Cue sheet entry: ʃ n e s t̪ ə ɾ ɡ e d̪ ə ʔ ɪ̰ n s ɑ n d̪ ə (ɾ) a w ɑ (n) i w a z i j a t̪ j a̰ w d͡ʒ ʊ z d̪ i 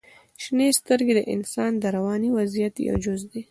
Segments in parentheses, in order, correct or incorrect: correct, correct

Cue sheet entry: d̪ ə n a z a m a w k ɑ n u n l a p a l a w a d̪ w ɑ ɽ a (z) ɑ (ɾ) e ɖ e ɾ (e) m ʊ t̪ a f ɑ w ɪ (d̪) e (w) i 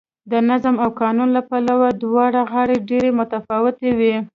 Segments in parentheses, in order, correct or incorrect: incorrect, incorrect, correct, incorrect, correct

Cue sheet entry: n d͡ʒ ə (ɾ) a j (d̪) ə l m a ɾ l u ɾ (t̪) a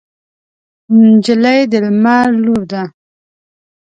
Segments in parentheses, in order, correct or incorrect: incorrect, correct, incorrect

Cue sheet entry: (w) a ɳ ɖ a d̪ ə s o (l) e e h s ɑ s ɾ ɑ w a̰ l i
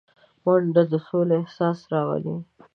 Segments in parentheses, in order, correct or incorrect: correct, correct

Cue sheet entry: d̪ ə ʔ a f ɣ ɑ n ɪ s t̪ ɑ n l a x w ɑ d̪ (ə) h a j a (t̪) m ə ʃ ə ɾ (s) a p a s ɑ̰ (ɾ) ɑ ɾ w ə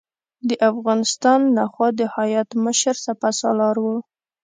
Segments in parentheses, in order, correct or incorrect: correct, correct, correct, incorrect

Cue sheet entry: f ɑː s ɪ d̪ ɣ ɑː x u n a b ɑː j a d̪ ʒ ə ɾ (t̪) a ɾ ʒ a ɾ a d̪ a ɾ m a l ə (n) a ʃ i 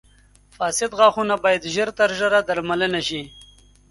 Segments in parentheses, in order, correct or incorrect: correct, correct

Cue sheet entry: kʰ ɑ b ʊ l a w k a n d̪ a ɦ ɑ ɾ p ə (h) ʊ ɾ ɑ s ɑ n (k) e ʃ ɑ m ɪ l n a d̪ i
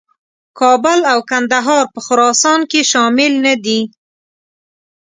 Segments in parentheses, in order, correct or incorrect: incorrect, correct

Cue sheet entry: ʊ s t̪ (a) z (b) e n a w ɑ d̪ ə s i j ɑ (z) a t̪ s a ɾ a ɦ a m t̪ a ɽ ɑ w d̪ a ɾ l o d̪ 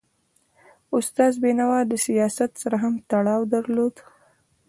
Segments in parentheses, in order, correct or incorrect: incorrect, correct, incorrect

